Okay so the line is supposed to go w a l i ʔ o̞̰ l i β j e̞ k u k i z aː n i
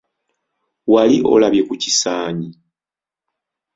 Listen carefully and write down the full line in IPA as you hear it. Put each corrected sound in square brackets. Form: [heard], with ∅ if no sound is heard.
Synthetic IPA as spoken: w a l i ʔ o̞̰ l [a] β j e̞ k u [c] i [s] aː [ɲ] i